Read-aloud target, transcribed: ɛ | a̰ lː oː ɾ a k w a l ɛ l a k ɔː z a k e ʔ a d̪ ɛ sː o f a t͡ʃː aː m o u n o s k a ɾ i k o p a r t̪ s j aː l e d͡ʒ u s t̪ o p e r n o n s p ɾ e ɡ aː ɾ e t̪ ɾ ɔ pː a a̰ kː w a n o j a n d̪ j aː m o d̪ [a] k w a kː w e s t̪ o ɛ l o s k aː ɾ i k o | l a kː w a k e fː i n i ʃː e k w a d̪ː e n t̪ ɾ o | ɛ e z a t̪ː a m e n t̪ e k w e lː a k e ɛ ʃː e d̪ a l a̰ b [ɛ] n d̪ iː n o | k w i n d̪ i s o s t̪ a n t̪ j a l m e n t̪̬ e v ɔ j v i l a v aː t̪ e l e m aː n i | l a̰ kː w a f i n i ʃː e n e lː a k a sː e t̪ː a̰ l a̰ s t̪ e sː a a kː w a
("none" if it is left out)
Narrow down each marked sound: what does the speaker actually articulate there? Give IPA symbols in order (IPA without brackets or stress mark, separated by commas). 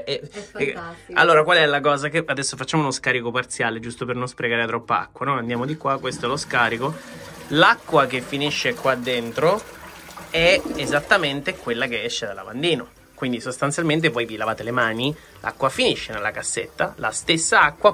i, a